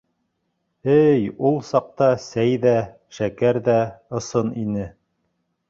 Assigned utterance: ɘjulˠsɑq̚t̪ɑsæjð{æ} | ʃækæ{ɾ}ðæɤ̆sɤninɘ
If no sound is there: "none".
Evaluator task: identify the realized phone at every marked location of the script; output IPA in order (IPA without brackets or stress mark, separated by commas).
æ, ɾ